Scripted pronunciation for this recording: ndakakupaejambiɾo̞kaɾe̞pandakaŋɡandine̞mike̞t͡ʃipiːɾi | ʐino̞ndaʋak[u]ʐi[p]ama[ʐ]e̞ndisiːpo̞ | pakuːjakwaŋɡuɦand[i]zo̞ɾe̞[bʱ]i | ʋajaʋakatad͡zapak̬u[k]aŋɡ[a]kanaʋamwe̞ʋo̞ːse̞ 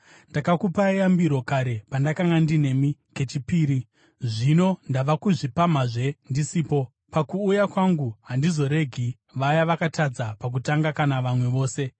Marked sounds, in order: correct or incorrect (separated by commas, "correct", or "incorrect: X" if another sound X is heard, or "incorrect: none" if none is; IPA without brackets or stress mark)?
correct, correct, correct, correct, incorrect: ɡʱ, incorrect: t, correct